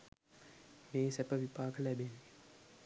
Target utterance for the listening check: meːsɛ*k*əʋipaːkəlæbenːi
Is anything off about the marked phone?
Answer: yes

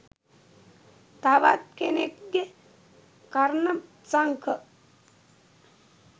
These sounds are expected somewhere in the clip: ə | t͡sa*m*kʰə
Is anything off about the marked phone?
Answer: yes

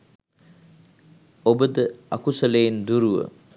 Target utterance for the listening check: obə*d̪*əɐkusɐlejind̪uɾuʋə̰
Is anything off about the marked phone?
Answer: no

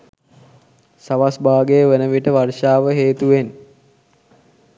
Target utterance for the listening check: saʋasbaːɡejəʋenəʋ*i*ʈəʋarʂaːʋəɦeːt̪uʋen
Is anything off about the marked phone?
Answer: no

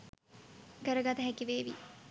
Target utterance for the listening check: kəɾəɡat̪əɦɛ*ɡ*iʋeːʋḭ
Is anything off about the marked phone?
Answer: yes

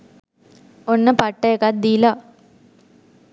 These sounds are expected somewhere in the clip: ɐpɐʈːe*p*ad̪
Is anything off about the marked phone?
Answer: yes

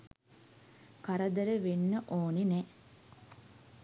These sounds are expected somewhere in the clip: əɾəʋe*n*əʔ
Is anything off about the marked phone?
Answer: yes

